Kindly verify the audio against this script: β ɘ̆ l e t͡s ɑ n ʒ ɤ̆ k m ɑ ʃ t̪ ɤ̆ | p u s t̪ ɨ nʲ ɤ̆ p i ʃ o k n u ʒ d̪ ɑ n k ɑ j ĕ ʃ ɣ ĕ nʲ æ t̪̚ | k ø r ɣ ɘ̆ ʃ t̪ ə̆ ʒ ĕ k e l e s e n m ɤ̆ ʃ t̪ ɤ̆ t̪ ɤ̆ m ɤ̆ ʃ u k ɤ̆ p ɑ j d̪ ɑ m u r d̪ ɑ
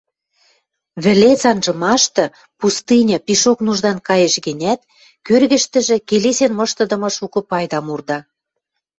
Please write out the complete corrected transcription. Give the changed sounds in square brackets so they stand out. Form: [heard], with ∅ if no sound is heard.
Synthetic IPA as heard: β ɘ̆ l e t͡s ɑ n ʒ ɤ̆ [∅] m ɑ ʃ t̪ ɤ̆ | p u s t̪ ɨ nʲ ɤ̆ p i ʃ o k n u ʒ d̪ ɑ n k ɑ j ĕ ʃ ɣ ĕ nʲ æ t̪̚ | k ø r ɣ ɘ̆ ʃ t̪ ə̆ ʒ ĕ k e l e s e n m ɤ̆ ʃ t̪ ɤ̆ [d̪] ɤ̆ m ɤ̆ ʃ u k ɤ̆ p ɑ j d̪ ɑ m u r d̪ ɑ